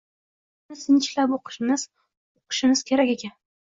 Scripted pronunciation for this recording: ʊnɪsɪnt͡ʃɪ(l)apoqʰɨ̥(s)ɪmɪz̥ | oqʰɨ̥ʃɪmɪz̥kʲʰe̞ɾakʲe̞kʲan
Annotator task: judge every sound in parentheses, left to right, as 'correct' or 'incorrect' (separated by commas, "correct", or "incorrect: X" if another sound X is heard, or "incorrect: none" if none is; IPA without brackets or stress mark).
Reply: correct, incorrect: ʃ